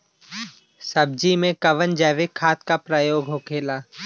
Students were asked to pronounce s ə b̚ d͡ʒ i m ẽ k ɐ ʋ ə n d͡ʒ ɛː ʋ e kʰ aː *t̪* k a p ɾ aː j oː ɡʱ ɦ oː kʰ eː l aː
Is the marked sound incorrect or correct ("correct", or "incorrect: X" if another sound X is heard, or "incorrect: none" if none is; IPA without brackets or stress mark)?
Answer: correct